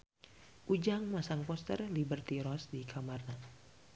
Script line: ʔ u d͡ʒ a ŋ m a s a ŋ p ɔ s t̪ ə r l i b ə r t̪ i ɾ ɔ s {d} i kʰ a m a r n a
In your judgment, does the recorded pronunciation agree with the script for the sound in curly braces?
yes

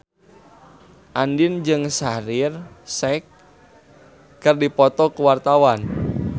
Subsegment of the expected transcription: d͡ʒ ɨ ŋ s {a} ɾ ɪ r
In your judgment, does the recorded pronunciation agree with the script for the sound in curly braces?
yes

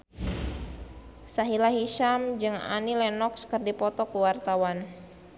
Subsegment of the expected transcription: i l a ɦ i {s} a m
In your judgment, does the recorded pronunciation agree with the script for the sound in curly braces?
no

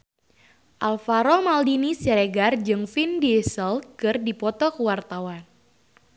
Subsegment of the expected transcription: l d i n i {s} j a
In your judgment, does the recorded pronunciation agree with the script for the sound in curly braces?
yes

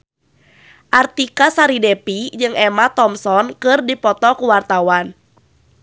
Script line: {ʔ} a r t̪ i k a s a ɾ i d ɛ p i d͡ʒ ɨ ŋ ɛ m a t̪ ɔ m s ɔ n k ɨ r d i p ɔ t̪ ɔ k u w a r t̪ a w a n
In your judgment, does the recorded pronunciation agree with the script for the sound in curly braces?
yes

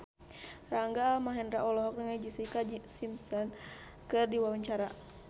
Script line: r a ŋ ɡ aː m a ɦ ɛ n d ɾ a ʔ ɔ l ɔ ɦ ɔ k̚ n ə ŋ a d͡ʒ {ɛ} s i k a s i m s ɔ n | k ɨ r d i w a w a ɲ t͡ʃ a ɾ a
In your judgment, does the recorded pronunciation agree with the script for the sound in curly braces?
no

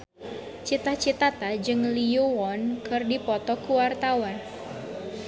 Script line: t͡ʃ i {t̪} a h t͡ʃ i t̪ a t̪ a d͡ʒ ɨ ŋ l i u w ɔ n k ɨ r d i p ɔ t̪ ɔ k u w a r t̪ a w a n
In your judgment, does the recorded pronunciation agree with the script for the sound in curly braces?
yes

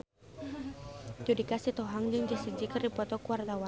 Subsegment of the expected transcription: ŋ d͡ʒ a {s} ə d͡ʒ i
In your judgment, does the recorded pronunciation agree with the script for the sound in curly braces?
yes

